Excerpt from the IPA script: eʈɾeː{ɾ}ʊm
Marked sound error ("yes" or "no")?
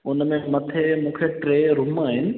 no